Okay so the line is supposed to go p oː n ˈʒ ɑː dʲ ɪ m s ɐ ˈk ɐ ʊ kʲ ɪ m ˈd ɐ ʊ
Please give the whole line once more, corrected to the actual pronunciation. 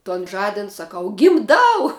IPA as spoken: t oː n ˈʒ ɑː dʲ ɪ n s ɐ ˈk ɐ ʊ ɡʲ ɪ m ˈd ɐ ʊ